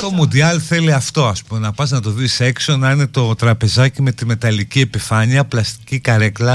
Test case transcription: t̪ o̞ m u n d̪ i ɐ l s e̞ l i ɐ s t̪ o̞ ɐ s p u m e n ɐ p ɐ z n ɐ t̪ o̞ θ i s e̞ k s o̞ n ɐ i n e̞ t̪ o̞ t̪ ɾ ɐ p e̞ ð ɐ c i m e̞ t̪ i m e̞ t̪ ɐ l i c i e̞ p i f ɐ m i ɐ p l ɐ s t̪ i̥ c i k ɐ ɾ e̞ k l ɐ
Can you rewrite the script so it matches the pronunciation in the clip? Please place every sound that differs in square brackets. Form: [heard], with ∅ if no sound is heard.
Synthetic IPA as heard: t̪ o̞ m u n d̪ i ɐ l [θ] e̞ l i ɐ [f] t̪ o̞ ɐ s p u m e n ɐ p ɐ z n ɐ t̪ o̞ [ð] i s e̞ k s o̞ n ɐ i n e̞ t̪ o̞ t̪ ɾ ɐ p e̞ [z] ɐ c i m e̞ t̪ i m e̞ t̪ ɐ l i c i e̞ p i f ɐ [ɲ] i ɐ p l ɐ s t̪ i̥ c i k ɐ ɾ e̞ k l ɐ